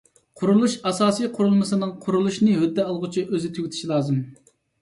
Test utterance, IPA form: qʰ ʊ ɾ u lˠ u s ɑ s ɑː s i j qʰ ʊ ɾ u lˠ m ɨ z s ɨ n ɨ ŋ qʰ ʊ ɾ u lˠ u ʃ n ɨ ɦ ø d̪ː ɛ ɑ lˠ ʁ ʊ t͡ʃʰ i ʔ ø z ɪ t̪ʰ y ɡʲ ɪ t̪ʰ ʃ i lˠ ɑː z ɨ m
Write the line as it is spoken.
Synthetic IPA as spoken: qʰ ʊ ɾ u lˠ u ʃ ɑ s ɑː s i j qʰ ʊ ɾ u lˠ m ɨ s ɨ n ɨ ŋ qʰ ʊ ɾ u lˠ u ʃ n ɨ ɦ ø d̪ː ɛ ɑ lˠ ʁ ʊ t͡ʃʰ i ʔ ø z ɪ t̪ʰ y ɡʲ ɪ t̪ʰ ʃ i lˠ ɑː z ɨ m